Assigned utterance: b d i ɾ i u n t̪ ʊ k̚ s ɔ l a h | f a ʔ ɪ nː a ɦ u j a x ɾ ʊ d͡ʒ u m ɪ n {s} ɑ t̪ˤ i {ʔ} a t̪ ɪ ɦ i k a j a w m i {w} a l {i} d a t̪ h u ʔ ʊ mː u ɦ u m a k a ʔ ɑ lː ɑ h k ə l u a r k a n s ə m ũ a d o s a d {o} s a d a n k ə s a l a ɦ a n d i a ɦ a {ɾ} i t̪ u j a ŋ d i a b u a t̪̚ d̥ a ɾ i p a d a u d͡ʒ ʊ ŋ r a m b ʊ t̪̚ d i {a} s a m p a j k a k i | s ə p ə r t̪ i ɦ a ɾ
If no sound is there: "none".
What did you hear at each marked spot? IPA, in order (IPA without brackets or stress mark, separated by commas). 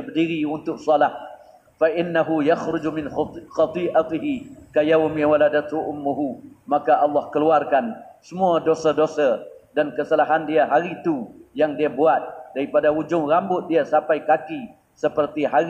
x, ʔ, w, a, o, ɾ, a